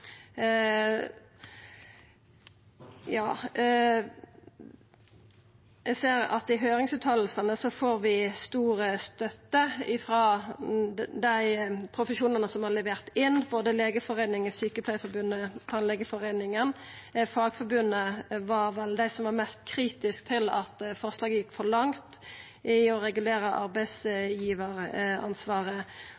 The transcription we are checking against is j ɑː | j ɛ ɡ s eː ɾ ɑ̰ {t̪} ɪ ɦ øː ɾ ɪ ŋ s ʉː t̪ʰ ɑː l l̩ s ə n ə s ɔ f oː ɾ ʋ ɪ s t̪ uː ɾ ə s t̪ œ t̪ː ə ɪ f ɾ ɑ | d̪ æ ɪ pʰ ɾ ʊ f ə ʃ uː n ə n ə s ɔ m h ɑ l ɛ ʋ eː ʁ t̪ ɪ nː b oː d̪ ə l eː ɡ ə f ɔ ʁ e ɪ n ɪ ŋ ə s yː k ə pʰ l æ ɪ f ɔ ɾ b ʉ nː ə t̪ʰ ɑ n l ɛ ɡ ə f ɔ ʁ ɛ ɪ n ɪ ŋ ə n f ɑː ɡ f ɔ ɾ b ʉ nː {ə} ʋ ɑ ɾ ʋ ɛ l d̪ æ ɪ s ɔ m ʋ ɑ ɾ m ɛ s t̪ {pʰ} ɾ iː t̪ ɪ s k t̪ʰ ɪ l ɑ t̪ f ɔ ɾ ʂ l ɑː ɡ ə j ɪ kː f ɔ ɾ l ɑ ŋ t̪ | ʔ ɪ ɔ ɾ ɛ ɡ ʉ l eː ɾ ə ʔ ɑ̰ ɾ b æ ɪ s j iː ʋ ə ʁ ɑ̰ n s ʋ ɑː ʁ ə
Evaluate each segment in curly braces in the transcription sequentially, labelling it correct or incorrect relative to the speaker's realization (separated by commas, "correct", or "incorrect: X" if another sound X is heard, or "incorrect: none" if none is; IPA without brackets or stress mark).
correct, correct, incorrect: kʰ